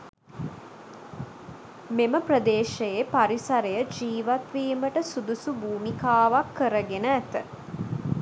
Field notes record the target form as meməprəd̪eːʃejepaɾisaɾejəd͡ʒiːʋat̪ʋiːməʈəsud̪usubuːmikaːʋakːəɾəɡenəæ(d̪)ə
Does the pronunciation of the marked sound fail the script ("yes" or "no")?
yes